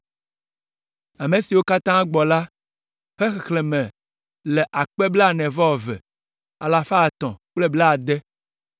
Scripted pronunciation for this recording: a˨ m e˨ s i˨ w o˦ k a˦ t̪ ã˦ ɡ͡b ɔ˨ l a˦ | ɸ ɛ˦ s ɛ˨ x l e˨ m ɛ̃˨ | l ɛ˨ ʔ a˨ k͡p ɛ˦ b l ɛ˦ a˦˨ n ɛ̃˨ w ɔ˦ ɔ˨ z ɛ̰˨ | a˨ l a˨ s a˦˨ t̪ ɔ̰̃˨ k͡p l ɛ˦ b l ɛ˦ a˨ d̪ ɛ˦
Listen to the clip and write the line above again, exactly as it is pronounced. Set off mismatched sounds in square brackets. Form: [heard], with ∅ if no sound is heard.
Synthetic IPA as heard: a˨ m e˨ s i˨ w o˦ k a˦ t̪ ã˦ ɡ͡b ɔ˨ l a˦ | ɸ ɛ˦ [x] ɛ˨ x l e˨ m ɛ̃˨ | l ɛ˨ ʔ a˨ k͡p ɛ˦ b l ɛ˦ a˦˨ n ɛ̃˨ [v] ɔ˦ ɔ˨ [v] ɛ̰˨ | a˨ l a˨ [f] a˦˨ t̪ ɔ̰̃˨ k͡p l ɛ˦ b l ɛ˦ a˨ d̪ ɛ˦